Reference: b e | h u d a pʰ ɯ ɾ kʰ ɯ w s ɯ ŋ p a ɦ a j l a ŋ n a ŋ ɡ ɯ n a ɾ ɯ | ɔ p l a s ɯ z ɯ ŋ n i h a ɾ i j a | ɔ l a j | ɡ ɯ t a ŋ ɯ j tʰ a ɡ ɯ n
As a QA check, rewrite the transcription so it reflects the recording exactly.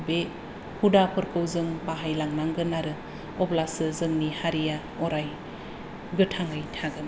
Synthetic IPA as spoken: b e | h u d a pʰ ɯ ɾ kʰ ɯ w z ɯ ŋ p a ɦ a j l a ŋ n a ŋ ɡ ɯ n a ɾ ɯ | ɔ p l a s ɯ z ɯ ŋ n i h a ɾ i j a | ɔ ɾ a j | ɡ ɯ tʰ a ŋ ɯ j tʰ a ɡ ɯ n